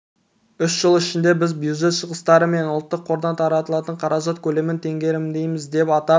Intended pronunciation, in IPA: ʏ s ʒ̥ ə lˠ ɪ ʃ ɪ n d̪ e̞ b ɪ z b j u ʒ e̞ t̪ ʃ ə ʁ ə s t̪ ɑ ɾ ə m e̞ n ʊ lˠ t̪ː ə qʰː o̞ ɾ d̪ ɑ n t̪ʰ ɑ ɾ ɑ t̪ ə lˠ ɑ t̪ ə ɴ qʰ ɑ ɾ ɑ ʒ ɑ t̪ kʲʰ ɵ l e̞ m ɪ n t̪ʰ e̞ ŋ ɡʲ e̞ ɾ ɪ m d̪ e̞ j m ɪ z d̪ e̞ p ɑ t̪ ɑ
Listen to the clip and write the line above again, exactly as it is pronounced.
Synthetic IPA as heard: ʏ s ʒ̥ ə lˠ ɪ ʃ ɪ n d̪ e̞ b ɪ z b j u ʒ e̞ t̪ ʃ ə ʁ ə s t̪ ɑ ɾ ə m e̞ n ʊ lˠ t̪ː ə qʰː o̞ ɾ d̪ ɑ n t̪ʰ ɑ ɾ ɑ t̪ ə lˠ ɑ t̪ ə ɴ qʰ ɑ ɾ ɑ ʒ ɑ t̪ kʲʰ ɵ l e̞ m ɪ n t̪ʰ e̞ ŋ ɡʲ e̞ ɾ ɪ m d̪ e̞ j m ɪ z d̪ e̞ p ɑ t̪ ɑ